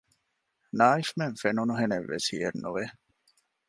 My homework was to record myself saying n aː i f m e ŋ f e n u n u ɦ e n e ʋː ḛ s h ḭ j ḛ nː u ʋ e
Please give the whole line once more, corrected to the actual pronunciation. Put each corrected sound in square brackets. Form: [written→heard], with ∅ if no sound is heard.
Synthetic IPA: n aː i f m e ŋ f e n u n u ɦ e n e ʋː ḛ s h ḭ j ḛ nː u ʋ e